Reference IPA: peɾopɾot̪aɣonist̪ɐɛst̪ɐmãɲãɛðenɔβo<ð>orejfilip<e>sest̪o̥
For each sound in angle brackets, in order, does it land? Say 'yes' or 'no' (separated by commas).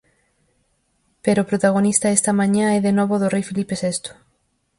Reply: yes, yes